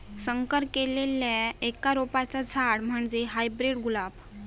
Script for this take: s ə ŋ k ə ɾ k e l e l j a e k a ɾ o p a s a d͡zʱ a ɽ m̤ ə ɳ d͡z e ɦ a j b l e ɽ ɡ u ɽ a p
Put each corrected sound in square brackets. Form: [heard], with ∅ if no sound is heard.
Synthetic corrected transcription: s ə ŋ k ə ɾ k e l e l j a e k a ɾ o p a [t͡s] a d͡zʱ a ɽ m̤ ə ɳ d͡z e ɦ a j b [ɾ] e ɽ ɡ u [l] a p